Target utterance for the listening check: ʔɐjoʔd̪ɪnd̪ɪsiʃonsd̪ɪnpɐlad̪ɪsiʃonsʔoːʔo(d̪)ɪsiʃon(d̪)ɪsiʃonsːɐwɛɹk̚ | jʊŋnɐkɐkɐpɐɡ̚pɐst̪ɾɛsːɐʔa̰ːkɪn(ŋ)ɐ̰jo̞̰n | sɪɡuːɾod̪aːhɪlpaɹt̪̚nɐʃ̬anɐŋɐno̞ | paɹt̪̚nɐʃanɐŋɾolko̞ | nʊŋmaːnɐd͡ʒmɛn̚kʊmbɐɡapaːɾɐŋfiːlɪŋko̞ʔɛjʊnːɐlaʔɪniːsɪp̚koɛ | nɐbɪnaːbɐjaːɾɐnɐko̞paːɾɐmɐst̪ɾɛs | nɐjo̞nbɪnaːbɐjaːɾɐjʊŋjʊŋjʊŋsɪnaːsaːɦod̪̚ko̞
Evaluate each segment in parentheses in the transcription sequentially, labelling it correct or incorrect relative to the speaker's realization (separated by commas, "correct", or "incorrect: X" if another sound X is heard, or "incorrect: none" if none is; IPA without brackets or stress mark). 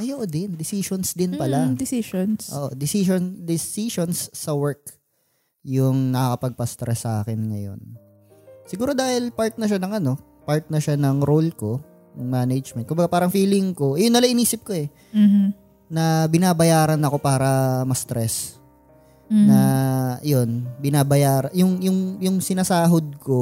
correct, correct, correct